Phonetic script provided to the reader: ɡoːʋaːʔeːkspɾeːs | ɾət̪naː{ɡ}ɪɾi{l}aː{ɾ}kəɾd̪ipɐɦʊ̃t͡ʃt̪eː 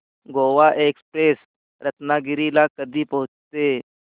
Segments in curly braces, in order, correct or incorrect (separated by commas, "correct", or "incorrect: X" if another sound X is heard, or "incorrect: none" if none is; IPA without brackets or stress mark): correct, correct, incorrect: none